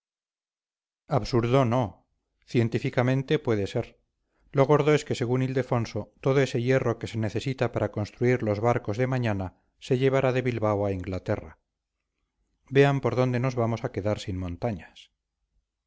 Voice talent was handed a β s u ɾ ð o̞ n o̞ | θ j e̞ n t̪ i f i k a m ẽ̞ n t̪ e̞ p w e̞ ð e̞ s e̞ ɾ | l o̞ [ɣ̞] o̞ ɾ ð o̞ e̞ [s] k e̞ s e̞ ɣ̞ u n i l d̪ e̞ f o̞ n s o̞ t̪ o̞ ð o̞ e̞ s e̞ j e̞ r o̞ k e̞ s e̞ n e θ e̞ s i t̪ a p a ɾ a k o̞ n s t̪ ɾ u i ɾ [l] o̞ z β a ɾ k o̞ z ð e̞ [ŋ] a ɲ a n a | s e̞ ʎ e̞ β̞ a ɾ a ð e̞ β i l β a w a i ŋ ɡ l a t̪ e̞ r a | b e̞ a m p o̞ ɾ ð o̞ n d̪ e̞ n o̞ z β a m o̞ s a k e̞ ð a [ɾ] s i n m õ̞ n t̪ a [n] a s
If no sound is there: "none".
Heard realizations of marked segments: ɣ̞, s, l, m, ɾ, ɲ

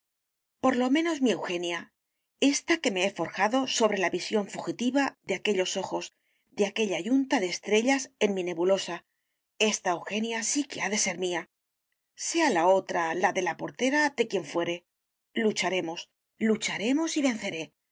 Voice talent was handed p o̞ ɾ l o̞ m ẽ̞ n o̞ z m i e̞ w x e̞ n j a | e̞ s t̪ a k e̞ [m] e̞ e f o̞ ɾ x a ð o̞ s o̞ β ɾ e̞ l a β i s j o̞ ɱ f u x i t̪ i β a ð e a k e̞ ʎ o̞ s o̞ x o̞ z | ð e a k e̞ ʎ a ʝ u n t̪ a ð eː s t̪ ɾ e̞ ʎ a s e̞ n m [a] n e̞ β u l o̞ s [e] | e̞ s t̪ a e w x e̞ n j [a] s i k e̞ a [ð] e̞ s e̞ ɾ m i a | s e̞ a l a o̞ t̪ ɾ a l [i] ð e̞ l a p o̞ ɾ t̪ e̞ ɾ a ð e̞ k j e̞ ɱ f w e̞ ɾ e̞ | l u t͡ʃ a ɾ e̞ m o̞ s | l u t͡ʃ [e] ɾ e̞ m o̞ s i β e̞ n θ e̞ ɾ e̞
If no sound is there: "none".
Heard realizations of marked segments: m, i, a, a, ð, a, a

